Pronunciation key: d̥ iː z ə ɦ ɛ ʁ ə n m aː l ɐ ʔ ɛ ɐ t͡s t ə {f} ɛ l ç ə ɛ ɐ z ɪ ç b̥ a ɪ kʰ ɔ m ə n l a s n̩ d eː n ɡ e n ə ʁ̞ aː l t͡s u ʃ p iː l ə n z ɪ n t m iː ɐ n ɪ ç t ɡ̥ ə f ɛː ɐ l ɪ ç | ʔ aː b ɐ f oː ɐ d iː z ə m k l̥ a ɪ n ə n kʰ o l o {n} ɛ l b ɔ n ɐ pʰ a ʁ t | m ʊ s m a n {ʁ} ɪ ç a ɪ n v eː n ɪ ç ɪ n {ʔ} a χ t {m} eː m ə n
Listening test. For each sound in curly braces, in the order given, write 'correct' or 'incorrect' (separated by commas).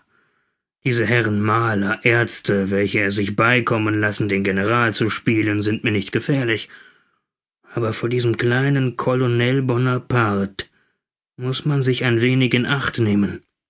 incorrect, correct, incorrect, correct, incorrect